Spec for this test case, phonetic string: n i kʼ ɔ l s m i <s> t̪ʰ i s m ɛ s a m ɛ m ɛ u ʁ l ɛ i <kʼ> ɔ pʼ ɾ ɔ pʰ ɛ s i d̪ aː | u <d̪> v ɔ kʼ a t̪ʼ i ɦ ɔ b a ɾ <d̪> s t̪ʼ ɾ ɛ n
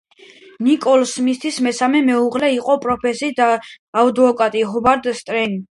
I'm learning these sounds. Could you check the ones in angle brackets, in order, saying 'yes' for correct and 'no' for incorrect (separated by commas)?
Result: yes, no, yes, yes